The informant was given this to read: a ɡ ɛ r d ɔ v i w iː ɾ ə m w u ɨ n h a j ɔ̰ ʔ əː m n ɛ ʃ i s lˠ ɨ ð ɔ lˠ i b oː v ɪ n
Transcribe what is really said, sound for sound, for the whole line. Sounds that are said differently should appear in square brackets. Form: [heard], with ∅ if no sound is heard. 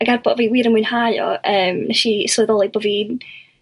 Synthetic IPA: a ɡ [a] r [b] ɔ v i w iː ɾ ə m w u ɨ n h a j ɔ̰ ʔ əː m n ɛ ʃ i s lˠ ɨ ð ɔ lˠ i b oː v [i] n